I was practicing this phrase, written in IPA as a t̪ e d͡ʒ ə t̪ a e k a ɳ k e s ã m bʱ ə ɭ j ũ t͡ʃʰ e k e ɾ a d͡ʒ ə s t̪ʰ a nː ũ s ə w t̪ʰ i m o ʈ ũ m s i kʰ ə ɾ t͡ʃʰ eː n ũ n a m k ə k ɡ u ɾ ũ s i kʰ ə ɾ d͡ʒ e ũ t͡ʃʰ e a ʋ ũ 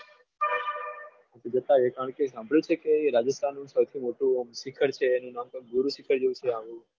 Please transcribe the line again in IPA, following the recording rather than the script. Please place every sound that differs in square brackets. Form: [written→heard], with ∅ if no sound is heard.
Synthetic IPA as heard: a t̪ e d͡ʒ ə t̪ a e k a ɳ k e s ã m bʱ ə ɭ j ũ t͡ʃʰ e k e ɾ a d͡ʒ ə s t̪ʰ a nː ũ s ə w t̪ʰ i m o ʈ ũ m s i kʰ ə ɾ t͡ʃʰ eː n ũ n a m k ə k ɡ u ɾ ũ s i kʰ ə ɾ d͡ʒ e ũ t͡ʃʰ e a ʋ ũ